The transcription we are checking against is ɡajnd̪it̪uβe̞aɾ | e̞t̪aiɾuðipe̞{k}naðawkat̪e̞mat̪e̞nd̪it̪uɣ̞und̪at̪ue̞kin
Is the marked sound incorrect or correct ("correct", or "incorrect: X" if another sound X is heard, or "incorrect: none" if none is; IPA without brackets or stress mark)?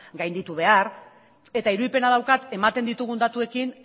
incorrect: none